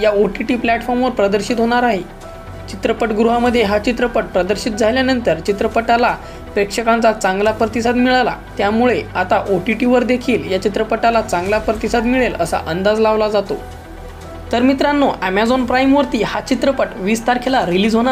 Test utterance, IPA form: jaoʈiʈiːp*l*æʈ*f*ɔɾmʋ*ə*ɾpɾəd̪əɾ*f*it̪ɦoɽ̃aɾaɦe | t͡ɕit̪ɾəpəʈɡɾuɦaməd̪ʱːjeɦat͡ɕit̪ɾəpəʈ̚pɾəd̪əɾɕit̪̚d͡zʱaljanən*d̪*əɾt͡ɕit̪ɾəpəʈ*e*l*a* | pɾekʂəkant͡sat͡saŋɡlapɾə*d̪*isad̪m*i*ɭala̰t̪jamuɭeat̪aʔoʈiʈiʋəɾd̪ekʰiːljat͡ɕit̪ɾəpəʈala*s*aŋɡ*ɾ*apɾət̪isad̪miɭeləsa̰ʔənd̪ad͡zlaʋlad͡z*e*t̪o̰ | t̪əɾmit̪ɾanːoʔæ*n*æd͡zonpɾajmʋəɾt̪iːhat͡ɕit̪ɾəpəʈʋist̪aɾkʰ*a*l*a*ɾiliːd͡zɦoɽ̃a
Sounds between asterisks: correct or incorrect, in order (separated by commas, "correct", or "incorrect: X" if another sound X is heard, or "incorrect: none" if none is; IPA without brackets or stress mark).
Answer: correct, correct, correct, incorrect: ɕ, incorrect: t̪, incorrect: a, correct, incorrect: t̪, correct, incorrect: t͡s, incorrect: l, incorrect: a, incorrect: m, incorrect: e, correct